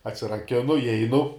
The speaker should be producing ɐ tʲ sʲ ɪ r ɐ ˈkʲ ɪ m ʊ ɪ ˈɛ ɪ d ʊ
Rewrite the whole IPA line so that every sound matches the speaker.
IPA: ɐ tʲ sʲ ɪ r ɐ ˈkʲ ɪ n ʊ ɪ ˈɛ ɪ n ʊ